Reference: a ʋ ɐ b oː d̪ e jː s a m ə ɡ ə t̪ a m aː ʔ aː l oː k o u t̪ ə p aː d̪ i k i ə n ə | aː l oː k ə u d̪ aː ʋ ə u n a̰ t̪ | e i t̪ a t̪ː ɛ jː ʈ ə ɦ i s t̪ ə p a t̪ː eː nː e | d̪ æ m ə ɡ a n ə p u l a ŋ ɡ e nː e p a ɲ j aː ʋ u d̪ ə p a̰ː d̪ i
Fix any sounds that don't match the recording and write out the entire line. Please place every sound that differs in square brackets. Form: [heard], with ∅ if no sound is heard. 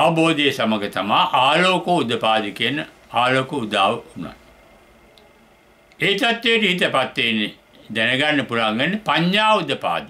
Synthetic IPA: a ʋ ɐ b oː d̪ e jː s a m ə ɡ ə t̪ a m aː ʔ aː l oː k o u [d̪] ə p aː d̪ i k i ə n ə | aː l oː k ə u d̪ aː ʋ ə u n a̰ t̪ | e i t̪ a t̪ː [e] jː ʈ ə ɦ i [∅] t̪ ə p a t̪ː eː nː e | d̪ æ [n] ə ɡ a [nː] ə p u l a ŋ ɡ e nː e p a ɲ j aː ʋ u d̪ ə p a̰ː d̪ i